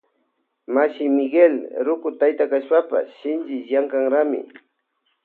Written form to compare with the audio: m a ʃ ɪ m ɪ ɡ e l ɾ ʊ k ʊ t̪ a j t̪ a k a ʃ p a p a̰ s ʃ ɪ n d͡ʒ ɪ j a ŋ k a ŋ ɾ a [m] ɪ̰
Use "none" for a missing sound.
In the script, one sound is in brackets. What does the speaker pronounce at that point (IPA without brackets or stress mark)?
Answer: m